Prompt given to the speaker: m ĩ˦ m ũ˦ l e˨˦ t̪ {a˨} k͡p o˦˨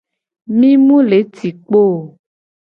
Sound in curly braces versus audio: incorrect: i˨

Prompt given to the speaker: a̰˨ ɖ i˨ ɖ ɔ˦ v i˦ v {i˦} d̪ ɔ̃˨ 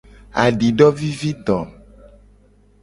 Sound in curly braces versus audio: correct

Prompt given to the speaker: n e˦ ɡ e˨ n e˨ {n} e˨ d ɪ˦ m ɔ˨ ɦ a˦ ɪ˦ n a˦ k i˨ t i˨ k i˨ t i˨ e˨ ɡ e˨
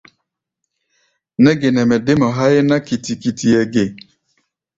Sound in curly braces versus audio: incorrect: m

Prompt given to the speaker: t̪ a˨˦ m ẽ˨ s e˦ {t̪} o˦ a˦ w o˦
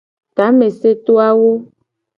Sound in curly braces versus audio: correct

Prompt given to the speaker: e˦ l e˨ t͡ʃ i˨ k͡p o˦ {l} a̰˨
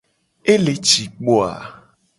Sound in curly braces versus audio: incorrect: none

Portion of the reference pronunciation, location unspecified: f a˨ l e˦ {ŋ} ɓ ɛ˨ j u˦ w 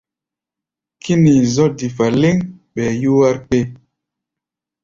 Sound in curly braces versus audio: correct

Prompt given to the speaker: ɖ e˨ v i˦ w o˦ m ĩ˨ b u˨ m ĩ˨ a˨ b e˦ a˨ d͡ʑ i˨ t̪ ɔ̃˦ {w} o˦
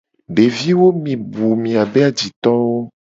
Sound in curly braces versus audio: correct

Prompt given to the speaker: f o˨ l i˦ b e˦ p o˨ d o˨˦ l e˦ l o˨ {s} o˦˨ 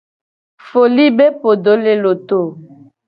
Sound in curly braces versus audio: incorrect: t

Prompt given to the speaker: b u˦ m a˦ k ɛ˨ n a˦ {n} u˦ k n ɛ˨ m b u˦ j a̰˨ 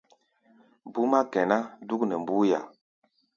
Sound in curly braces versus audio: incorrect: d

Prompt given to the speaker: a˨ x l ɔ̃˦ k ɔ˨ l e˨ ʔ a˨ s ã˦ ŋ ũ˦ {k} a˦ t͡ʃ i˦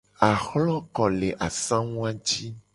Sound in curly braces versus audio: incorrect: none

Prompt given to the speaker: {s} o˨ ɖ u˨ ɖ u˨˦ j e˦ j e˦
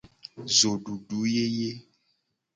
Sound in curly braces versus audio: incorrect: z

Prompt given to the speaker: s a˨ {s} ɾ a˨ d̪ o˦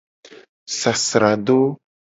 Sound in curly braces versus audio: correct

